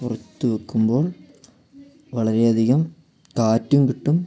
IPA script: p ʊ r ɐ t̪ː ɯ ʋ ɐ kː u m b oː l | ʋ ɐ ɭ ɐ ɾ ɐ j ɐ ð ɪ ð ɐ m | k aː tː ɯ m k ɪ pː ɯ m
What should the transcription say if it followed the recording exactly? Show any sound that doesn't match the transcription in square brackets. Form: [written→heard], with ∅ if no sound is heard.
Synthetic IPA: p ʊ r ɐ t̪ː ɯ ʋ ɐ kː [u→ɯ] m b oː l | ʋ ɐ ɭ ɐ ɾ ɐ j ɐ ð ɪ [ð→ɣ] ɐ m | k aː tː ɯ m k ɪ [pː→ʈː] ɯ m

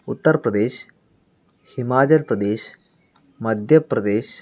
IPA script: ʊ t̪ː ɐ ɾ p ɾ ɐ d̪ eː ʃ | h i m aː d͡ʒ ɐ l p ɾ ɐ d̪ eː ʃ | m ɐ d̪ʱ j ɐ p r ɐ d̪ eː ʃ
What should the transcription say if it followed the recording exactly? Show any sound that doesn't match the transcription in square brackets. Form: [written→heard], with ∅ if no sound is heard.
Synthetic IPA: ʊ t̪ː ɐ ɾ p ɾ ɐ d̪ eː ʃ | h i m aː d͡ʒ ɐ l p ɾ ɐ d̪ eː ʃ | m ɐ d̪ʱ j ɐ p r ɐ d̪ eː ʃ

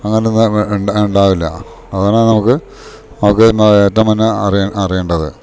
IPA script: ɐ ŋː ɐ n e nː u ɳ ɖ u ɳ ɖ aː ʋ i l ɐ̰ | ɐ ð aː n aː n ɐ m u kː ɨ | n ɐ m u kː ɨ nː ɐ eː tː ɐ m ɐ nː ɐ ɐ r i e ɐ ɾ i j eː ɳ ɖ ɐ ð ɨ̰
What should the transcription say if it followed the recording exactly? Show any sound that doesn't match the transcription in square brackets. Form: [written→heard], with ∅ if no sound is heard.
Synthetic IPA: ɐ ŋː ɐ n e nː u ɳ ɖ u ɳ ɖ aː ʋ i [l→lː] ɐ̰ | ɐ ð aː n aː n ɐ m u kː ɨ | n ɐ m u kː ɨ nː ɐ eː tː ɐ m ɐ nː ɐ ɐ r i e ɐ [ɾ→r] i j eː ɳ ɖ ɐ ð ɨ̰

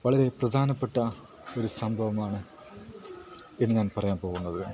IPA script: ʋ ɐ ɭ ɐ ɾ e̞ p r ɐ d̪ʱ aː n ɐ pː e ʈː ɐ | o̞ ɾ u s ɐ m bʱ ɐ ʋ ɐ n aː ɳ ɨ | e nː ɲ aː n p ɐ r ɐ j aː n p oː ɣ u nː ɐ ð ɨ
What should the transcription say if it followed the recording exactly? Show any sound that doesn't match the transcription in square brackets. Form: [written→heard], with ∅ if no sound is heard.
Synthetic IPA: ʋ ɐ ɭ ɐ ɾ e̞ p r ɐ d̪ʱ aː n ɐ pː e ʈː ɐ | o̞ ɾ u s ɐ m bʱ ɐ ʋ ɐ [n→m] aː ɳ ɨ | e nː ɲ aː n p ɐ r ɐ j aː n p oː ɣ u nː ɐ ð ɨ

